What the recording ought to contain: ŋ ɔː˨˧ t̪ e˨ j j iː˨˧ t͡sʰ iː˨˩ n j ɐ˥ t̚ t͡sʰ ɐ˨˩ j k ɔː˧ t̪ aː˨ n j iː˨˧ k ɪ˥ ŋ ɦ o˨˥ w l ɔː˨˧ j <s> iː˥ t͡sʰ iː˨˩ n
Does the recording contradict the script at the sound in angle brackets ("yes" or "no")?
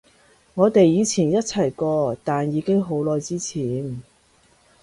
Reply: yes